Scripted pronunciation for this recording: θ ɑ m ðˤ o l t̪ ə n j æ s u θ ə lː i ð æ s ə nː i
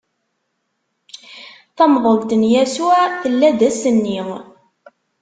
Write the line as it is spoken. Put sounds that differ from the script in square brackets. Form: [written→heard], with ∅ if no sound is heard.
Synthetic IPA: θ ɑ m ðˤ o l t̪ ə n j æ s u θ ə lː [i→æ] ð æ s ə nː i